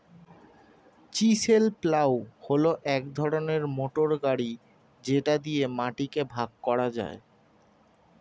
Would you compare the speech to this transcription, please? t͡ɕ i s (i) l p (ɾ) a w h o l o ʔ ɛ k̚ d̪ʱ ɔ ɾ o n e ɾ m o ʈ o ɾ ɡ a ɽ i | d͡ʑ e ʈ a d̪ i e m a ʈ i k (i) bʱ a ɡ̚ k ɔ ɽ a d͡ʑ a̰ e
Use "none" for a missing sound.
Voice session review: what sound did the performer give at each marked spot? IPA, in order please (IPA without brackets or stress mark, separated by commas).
e, l, e